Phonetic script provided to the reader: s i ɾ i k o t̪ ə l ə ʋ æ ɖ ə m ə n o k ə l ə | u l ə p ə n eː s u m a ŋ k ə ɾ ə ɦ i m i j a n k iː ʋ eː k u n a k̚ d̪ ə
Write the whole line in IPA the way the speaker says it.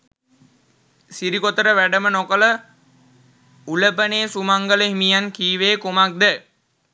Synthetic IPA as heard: s i ɾ i k o t̪ ə ɾ ə ʋ æ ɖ ə m ə n o k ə l ə | u l ə p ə n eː s u m a ŋ ɡ ə l ə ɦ i m i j a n k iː ʋ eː k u m a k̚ d̪ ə